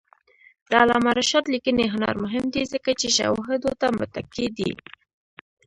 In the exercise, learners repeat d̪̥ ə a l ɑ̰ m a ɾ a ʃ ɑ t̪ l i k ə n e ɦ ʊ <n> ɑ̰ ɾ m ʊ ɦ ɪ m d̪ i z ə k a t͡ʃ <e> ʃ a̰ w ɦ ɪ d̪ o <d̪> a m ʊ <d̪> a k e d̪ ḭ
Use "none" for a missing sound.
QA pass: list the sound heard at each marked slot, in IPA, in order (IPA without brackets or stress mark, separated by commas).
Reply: n, e, t̪, t̪